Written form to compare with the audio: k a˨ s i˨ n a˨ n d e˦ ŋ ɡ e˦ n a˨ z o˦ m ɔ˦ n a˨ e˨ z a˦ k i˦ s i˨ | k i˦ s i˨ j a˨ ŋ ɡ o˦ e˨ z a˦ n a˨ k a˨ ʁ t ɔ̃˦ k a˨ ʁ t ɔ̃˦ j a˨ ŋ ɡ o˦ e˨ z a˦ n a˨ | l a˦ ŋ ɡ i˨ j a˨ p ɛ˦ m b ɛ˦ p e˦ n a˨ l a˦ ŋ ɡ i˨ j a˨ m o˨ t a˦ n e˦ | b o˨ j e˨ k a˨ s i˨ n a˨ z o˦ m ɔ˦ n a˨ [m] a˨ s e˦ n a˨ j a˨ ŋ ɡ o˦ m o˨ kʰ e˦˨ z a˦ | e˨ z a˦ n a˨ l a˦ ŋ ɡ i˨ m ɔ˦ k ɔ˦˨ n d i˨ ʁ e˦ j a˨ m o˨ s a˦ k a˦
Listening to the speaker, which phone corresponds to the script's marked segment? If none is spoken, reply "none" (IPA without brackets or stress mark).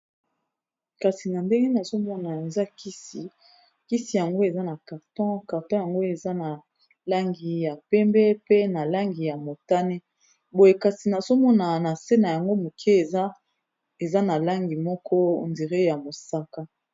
n